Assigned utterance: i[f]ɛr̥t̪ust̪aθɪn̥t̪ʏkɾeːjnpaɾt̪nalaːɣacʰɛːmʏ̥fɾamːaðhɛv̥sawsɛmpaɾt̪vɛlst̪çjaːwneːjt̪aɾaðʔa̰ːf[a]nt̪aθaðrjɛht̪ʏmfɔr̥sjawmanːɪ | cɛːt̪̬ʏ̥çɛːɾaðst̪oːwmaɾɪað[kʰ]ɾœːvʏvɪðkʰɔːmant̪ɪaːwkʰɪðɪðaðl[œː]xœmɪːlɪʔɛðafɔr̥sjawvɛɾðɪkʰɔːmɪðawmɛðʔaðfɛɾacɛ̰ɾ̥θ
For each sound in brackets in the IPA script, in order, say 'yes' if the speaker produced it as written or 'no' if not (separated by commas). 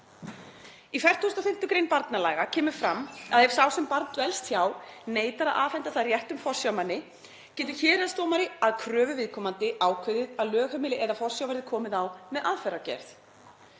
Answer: yes, no, yes, yes